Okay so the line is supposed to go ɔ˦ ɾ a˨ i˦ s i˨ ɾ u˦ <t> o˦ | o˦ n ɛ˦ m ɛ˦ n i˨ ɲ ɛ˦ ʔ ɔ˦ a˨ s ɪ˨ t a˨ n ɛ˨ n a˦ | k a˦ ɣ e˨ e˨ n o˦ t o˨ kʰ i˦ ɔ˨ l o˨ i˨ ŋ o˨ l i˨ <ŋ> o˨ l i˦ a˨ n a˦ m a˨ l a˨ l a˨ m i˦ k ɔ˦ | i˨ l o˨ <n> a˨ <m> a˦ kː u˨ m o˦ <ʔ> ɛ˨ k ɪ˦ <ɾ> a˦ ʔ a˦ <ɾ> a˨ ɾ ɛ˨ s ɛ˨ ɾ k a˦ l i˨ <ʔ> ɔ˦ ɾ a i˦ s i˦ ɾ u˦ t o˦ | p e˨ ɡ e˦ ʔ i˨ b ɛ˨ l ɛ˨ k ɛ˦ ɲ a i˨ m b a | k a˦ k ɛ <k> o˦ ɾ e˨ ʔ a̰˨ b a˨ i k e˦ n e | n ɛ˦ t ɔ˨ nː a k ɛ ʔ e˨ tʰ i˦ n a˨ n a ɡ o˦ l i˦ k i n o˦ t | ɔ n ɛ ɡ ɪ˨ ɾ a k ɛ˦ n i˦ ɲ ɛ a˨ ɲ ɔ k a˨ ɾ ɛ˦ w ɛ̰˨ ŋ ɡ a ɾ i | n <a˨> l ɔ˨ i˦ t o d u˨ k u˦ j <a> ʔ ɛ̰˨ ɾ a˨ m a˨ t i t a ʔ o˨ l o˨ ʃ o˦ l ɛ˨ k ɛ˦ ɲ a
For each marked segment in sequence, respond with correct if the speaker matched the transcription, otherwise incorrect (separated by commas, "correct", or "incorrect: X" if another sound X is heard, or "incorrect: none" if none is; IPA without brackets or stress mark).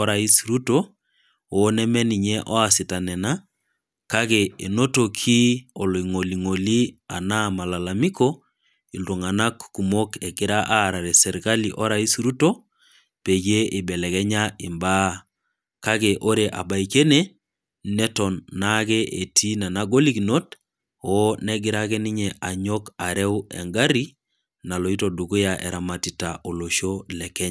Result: correct, correct, incorrect: ŋ, incorrect: n, incorrect: k, correct, correct, correct, incorrect: ʔ, correct, correct